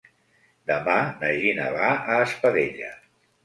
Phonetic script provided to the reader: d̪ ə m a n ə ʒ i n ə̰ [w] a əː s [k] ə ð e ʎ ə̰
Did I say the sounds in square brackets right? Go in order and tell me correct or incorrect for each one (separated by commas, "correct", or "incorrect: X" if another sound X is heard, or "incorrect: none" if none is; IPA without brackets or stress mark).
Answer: incorrect: β, incorrect: p